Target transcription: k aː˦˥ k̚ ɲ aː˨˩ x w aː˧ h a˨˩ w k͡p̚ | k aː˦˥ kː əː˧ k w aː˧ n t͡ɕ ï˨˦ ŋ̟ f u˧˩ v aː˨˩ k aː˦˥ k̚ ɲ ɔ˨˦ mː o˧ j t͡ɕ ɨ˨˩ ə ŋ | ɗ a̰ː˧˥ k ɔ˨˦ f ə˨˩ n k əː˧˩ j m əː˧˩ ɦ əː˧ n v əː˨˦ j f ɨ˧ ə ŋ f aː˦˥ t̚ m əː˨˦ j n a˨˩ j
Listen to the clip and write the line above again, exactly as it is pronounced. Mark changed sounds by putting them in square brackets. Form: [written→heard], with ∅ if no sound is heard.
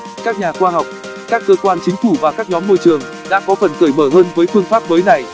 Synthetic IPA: k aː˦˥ k̚ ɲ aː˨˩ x w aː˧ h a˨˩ w k͡p̚ | k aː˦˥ kː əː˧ k w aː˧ n t͡ɕ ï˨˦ ŋ̟ f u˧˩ v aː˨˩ k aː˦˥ k̚ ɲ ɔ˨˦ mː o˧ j t͡ɕ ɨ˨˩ ə ŋ | ɗ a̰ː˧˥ k ɔ˨˦ f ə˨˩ n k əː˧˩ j m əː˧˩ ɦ əː˧ n v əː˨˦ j f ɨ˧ ə ŋ f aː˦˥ [t̚→p̚] m əː˨˦ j n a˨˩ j